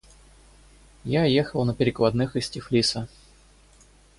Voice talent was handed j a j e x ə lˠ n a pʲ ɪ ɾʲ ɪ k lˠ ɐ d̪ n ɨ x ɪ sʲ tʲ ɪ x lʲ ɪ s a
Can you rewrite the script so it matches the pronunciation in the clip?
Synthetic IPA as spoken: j a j e x ə lˠ n ə pʲ ɪ ɾʲ ɪ k lˠ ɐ d̪ n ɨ x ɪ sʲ tʲ ɪ f lʲ i s ə